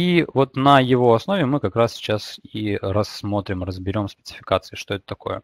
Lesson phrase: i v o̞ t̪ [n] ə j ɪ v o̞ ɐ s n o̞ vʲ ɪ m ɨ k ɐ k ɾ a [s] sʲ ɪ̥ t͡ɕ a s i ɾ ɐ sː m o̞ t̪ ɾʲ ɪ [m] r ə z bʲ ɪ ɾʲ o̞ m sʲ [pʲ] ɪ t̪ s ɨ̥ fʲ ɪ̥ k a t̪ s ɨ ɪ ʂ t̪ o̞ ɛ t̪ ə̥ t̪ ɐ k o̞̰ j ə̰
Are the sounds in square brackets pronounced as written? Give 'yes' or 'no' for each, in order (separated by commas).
yes, yes, yes, yes